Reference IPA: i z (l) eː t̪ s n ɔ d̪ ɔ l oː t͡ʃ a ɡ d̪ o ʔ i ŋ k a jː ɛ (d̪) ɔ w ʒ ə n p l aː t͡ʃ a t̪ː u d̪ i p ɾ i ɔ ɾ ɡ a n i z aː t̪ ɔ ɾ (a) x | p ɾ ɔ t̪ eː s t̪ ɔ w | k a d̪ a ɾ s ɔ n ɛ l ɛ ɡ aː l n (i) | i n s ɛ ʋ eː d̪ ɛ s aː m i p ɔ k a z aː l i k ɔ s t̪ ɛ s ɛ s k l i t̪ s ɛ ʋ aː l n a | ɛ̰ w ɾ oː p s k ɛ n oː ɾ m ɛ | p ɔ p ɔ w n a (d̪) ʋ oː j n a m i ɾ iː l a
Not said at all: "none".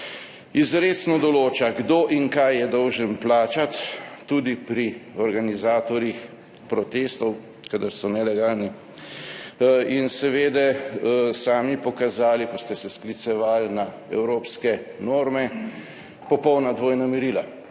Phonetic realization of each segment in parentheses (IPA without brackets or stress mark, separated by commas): ɾ, d̪, i, i, d̪